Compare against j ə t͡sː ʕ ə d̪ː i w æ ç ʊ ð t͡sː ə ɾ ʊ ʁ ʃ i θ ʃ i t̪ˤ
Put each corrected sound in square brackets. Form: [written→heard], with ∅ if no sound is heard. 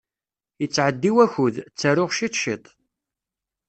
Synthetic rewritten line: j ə t͡sː ʕ ə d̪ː i w æ ç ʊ ð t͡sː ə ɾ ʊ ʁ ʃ i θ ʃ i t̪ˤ